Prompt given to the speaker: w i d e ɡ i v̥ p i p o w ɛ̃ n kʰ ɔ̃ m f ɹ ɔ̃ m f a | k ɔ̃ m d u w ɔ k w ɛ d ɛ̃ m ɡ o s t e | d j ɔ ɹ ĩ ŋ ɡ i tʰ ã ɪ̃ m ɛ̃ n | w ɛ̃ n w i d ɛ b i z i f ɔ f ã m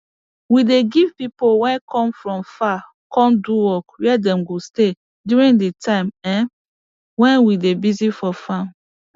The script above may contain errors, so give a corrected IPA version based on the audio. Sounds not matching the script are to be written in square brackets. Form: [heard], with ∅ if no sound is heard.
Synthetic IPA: w i d e ɡ i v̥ p i p o w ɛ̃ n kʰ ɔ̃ m f ɹ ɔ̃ m f a | k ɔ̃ [n] d u w ɔ k w ɛ d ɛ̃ m ɡ o s t e | d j [u] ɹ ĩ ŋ [d] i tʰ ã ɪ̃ m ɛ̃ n | w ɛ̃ n w i d [e] b i z i f ɔ f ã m